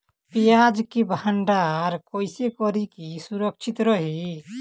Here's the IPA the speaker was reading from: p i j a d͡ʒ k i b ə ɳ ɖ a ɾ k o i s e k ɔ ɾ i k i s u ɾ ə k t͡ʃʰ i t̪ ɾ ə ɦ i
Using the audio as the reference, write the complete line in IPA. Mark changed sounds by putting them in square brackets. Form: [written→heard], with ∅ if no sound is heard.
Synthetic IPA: p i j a d͡ʒ k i b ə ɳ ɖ a ɾ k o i s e k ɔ ɾ i k i s u ɾ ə k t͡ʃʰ i t̪ ɾ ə ɦ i